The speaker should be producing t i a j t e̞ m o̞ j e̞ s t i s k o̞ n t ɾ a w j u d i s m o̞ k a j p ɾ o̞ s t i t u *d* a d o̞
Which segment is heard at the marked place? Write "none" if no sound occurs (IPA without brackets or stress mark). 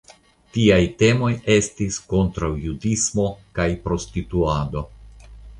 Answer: none